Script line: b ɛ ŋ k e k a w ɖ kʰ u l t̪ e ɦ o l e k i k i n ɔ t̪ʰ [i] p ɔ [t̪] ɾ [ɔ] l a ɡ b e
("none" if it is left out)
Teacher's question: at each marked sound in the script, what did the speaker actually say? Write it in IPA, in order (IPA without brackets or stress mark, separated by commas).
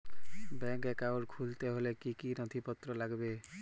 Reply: i, t̪, ɔ